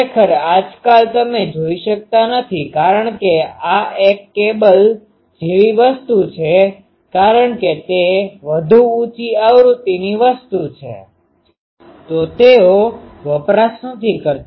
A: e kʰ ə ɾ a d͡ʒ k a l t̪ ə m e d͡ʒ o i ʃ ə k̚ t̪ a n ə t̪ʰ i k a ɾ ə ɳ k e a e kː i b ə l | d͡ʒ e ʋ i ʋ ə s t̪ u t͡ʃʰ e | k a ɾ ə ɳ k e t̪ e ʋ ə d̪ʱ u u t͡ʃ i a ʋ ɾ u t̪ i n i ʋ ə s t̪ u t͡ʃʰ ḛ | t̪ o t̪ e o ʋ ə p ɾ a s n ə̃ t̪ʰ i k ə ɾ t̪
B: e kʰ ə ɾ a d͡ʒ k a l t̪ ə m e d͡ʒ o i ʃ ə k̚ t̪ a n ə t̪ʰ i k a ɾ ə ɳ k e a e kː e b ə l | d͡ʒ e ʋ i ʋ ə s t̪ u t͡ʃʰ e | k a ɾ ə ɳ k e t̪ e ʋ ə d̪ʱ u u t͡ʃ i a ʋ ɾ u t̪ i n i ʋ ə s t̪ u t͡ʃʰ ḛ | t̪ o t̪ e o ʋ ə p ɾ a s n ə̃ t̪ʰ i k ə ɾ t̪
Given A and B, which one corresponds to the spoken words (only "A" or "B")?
B